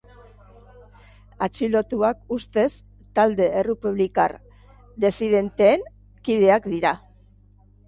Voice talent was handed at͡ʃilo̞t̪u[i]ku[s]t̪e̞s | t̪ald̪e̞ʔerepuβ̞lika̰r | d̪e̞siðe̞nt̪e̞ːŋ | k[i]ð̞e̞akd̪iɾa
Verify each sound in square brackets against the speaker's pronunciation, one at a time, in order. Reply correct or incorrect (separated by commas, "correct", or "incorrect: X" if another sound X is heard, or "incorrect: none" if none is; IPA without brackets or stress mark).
incorrect: a, correct, correct